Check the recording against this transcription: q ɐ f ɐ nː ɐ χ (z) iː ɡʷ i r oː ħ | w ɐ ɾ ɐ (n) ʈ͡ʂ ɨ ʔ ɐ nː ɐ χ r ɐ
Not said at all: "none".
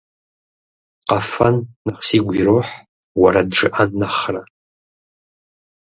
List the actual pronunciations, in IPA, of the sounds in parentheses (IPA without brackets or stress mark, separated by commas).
s, d